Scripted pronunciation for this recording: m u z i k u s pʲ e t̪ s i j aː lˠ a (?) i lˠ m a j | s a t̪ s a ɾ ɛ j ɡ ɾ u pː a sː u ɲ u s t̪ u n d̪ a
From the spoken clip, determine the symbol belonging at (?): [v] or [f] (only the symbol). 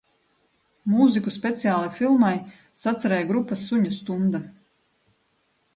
f